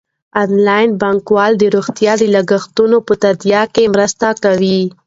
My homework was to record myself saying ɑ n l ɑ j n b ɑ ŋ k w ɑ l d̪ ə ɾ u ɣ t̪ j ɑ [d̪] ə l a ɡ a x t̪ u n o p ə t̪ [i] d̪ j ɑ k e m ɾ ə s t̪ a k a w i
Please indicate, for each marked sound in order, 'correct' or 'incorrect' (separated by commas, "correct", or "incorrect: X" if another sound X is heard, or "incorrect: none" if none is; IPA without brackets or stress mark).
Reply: correct, incorrect: a